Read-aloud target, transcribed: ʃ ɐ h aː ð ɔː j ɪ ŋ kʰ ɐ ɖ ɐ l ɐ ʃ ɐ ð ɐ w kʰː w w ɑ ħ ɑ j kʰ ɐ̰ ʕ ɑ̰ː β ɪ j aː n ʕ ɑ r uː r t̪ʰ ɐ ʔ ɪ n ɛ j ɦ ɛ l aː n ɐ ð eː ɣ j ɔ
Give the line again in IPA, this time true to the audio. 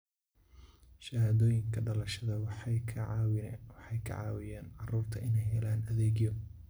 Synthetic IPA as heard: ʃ ɐ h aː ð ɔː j ɪ ŋ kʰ ɐ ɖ ɐ l ɐ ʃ ɐ ð ɐ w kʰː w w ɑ ħ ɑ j kʰ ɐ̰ ʕ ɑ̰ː w ɪ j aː n ʕ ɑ r uː r t̪ʰ ɐ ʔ ɪ n ɛ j ɦ ɛ l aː n ɐ ð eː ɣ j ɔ

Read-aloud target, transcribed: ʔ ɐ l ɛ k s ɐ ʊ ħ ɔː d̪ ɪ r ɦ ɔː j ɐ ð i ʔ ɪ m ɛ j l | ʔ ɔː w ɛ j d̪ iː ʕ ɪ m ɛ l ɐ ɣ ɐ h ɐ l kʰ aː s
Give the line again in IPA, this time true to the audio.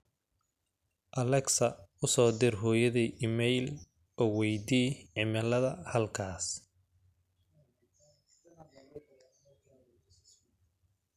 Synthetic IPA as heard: ʔ ɐ l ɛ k s ɐ ʊ s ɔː d̪ ɪ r ɦ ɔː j ɐ ð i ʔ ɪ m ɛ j l | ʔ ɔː w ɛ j d̪ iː ʕ ɪ m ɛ l ɐ ð ɐ h ɐ l kʰ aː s

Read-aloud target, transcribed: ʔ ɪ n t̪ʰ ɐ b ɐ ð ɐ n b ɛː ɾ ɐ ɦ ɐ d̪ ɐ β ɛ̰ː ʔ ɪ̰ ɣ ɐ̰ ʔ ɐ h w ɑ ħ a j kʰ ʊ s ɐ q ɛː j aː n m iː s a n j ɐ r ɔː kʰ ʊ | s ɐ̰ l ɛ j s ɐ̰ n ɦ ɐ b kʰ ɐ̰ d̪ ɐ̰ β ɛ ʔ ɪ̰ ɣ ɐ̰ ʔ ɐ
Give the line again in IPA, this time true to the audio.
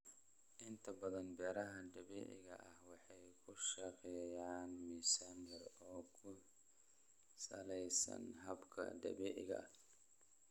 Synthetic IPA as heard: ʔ ɪ n t̪ʰ ɐ b ɐ ð ɐ n b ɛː ɾ ɐ ɦ ɐ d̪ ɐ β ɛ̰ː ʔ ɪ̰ ɣ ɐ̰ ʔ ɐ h w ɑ ħ ɑ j kʰ ʊ ʃ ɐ q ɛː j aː n m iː s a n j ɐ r ɔː kʰ ʊ | s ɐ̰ l ɛ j s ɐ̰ n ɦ ɐ b kʰ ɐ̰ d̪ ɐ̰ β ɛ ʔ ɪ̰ ɣ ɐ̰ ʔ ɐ

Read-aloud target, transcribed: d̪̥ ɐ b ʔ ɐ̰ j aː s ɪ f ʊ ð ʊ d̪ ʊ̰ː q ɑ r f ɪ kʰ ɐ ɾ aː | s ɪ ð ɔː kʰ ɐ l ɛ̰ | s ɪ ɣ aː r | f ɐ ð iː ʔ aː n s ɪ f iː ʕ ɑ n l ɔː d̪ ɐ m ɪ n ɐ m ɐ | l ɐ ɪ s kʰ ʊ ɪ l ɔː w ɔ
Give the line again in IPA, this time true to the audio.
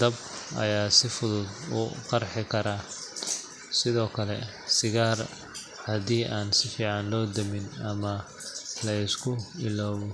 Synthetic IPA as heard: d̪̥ ɐ b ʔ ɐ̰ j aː s ɪ f ʊ ð ʊ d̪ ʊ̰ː q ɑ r ħ ɪ kʰ ɐ ɾ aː | s ɪ ð ɔː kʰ ɐ l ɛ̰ | s ɪ ɣ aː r | h ɐ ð iː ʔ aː n s ɪ f iː ʕ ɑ n l ɔː d̪ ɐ m ɪ n ɐ m ɐ | l ɐ ɪ s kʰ ʊ ɪ l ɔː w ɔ

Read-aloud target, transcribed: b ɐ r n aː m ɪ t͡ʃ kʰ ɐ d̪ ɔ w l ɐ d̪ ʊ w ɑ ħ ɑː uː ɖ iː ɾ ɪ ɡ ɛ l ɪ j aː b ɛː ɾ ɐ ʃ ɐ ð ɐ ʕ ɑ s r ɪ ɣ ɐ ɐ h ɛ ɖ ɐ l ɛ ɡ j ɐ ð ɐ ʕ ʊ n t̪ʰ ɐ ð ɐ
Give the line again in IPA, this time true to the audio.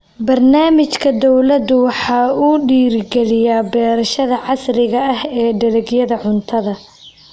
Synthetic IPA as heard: b ɐ r n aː m ɪ t͡ʃ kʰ ɐ d̪ ɔ w l ɐ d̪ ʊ w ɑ ħ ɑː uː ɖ iː ɾ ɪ ɡ ɛ l ɪ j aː b ɛː ɾ ɐ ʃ ɐ ð ɐ ʕ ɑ s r ɪ ɣ ɐ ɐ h ɛː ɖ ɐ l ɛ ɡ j ɐ ð ɐ ʕ ʊ n t̪ʰ ɐ ð ɐ

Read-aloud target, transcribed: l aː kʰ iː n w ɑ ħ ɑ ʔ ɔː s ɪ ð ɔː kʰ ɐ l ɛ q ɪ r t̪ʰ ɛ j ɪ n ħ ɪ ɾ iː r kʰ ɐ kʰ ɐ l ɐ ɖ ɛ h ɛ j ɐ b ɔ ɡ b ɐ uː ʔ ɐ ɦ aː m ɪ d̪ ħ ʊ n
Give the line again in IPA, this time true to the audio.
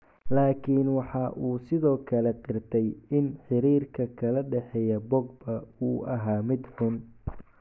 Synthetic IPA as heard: l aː kʰ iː n w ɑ ħ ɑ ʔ uː s ɪ ð ɔː kʰ ɐ l ɛ q ɪ r t̪ʰ ɛ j ɪ n ħ ɪ ɾ iː r kʰ ɐ kʰ ɐ l ɐ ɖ ɛ ħ ɛ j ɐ b ɔ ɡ b ɐ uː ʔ ɐ ɦ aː m ɪ d̪ ħ ʊ n

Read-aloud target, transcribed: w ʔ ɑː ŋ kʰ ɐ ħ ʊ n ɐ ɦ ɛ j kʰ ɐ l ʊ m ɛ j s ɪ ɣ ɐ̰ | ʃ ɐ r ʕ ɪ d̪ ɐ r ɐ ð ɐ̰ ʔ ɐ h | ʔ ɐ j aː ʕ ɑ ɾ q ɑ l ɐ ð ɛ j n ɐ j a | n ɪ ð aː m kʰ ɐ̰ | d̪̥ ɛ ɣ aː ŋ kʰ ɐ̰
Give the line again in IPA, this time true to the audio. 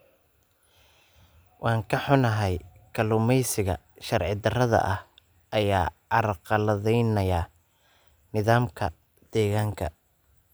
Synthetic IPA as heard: w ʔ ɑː ŋ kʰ ɐ ħ ʊ n ɐ ɦ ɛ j kʰ ɐ l ʊ m ɛ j s ɪ ɣ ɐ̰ | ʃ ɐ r ʕ ɪ d̪ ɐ r ɐ ð ɐ̰ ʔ ɐ h | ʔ ɐ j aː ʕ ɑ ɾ q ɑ l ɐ ð ɛ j n ɐ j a | n ɪ ð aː m kʰ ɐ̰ | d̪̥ ɛː ɣ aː ŋ kʰ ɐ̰

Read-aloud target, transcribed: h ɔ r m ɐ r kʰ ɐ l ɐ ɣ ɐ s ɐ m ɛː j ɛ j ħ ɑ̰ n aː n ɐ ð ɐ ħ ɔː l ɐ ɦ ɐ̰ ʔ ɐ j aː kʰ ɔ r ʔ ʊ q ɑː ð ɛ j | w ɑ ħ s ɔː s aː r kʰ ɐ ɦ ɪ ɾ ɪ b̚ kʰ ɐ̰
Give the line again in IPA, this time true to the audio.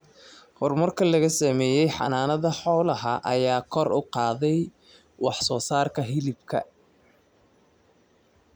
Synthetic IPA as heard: h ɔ r m ɐ r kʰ ɐ l ɐ ɣ ɐ s ɐ m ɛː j ɛ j ħ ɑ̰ n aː n ɐ ð ɐ ħ ɔː l ɐ ɦ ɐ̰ ʔ ɐ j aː kʰ ɔ r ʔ ʊ q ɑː ð ɛ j | w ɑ ħ s ɔː s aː r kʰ ɐ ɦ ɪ l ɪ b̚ kʰ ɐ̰

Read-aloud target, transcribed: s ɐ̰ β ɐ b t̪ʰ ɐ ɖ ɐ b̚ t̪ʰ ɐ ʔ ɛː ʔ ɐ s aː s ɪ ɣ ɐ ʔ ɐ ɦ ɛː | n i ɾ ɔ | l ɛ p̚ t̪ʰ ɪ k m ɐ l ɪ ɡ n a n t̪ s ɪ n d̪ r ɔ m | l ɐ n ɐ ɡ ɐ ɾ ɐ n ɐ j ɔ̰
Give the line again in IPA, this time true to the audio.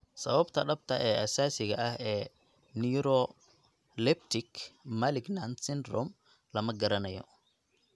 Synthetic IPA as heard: s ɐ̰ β ɐ b t̪ʰ ɐ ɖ ɐ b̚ t̪ʰ ɐ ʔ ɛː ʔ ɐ s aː s ɪ ɣ ɐ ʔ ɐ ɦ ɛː | n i ɾ ɔ | l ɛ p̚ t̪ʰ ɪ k m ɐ l ɪ ɡ n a n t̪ s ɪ n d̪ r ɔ m | l ɐ m ɐ ɡ ɐ ɾ ɐ n ɐ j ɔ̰

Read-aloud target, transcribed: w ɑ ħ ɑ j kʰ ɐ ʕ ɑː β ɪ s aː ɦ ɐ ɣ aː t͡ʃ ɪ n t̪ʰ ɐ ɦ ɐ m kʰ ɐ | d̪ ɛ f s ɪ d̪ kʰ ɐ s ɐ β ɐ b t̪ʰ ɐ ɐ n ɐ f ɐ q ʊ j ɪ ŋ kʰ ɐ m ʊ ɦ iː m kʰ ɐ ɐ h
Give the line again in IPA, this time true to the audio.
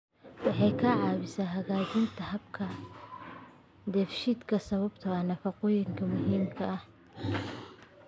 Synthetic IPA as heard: w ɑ ħ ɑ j kʰ ɐ ʕ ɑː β ɪ s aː ɦ ɐ ɣ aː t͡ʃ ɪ n t̪ʰ ɐ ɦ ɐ b kʰ ɐ | d̪ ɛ f ʃ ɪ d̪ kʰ ɐ s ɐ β ɐ b t̪ʰ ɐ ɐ n ɐ f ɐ q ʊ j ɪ ŋ kʰ ɐ m ʊ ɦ iː m kʰ ɐ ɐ h

